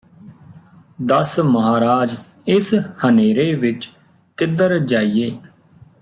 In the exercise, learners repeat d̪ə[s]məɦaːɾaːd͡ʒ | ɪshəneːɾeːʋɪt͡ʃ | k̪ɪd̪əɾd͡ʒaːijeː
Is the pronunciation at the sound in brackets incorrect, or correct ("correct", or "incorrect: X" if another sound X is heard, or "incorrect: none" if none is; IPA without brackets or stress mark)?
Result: correct